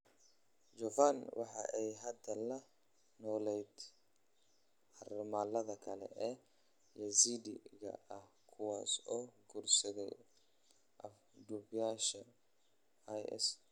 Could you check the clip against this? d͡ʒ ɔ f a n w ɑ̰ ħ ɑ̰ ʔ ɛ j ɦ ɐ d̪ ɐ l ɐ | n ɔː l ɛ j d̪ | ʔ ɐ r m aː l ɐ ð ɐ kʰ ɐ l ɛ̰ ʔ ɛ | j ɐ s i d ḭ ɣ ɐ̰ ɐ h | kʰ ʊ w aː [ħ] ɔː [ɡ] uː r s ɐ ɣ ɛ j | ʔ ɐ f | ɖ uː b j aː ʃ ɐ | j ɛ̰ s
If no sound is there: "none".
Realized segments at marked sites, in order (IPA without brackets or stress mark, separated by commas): s, ɡ